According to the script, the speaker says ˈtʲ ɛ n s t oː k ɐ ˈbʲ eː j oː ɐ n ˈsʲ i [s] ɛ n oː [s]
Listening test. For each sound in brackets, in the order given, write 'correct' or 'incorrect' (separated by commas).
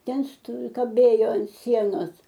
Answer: incorrect, correct